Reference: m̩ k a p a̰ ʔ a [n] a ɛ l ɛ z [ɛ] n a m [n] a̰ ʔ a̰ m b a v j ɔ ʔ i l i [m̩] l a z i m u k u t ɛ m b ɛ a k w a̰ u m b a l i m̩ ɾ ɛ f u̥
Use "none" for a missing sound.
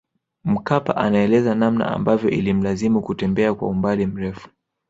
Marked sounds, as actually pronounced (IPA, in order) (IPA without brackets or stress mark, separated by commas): n, a, n, m̩